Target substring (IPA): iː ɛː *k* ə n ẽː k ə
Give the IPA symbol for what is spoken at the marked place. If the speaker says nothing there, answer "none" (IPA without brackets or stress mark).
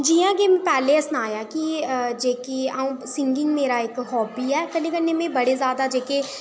k